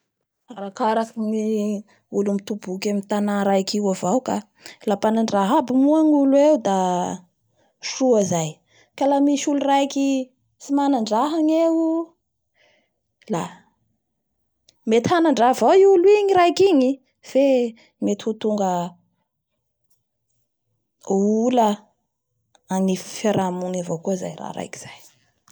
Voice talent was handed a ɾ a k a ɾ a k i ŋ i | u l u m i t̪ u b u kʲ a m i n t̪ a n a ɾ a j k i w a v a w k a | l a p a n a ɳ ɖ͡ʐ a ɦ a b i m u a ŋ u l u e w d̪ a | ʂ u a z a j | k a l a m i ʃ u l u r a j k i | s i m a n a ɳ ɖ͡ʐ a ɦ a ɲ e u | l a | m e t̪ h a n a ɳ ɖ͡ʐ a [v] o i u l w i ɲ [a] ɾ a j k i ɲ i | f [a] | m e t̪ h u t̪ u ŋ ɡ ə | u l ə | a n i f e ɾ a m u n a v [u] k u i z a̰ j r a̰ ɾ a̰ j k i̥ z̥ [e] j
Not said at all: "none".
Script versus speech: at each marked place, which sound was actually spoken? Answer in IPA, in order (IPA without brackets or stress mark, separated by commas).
v, i, e, o, a